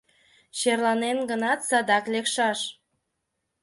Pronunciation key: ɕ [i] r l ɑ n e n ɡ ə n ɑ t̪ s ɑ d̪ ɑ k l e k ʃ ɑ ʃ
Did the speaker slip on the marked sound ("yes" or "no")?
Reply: yes